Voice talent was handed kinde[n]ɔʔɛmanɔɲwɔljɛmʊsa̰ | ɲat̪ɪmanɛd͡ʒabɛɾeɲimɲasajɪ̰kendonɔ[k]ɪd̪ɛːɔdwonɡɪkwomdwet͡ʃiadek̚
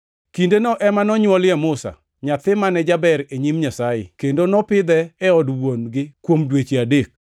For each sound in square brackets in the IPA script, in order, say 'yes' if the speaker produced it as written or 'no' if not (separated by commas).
yes, no